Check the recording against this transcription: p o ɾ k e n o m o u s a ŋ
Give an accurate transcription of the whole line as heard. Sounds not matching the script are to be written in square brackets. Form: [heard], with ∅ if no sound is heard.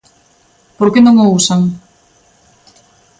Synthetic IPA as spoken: p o ɾ k e n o [ŋ] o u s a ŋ